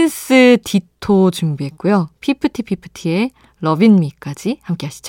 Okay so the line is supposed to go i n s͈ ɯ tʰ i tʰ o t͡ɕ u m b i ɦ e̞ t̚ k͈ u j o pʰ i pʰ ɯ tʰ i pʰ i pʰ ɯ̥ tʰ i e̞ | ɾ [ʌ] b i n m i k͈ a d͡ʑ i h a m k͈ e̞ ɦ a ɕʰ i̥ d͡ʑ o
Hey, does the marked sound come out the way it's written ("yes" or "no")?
yes